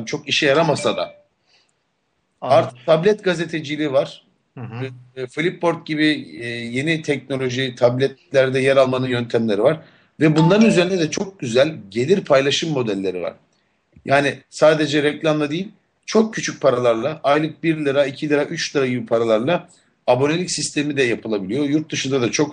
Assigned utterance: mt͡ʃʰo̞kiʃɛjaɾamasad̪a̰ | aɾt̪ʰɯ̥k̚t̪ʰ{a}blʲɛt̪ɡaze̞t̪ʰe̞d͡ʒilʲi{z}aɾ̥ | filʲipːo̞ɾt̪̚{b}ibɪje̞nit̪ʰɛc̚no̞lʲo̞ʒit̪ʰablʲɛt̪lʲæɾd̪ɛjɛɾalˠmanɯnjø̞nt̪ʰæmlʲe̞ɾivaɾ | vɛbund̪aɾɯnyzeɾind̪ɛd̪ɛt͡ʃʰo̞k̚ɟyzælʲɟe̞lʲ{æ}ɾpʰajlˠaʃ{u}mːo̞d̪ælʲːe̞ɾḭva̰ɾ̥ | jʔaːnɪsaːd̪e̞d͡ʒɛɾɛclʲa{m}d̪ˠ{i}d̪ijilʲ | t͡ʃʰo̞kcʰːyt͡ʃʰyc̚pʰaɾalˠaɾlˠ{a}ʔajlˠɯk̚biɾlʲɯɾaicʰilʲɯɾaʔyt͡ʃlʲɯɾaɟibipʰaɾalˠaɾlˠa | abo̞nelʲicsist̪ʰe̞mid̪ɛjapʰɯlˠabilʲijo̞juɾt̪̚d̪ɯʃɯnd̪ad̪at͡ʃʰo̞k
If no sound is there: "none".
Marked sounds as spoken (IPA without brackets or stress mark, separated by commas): a, v, ɟ, i, ɯ, m, a, a